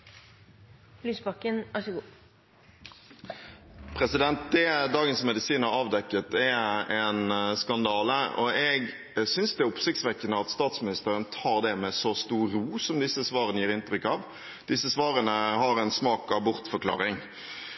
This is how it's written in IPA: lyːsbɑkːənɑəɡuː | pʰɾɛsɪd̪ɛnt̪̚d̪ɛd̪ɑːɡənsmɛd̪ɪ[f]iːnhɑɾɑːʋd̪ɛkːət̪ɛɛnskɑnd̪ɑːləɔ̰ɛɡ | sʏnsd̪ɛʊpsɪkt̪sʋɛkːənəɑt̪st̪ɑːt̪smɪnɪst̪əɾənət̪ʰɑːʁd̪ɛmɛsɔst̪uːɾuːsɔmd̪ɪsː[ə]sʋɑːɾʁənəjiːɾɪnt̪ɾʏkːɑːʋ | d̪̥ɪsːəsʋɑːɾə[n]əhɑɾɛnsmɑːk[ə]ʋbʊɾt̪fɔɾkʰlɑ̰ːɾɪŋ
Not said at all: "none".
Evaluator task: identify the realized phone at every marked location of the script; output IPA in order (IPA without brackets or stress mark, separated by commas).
s, ə, n, ɑ